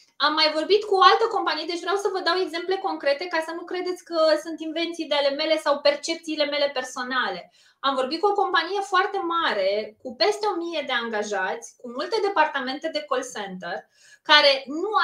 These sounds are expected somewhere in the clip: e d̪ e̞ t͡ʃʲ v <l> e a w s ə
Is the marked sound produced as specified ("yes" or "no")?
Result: no